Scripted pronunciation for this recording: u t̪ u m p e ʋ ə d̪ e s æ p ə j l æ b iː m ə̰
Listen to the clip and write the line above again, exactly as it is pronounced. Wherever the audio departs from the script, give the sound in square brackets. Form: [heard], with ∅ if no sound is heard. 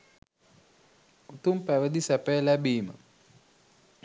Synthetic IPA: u t̪ u m p [æ] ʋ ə d̪ [i] s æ p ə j l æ b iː m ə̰